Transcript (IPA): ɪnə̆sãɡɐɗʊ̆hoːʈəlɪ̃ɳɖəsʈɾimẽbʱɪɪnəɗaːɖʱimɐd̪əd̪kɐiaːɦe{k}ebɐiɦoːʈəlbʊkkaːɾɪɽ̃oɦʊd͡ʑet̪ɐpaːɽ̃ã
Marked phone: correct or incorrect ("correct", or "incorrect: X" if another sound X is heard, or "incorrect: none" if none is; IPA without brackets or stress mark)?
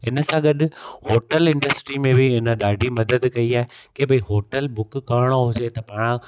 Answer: correct